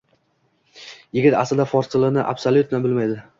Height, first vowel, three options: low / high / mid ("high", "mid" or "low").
high